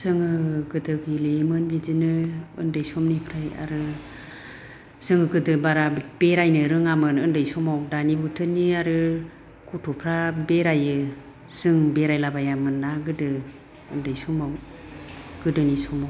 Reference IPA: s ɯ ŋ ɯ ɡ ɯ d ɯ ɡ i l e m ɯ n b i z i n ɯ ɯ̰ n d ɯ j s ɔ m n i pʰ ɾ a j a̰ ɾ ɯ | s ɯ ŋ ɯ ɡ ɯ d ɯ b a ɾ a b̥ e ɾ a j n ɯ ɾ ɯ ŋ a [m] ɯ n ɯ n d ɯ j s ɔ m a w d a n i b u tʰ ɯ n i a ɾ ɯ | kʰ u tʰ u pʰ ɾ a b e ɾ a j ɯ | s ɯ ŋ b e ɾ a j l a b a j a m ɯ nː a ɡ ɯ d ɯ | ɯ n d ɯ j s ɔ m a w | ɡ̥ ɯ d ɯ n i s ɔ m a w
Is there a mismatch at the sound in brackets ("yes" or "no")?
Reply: no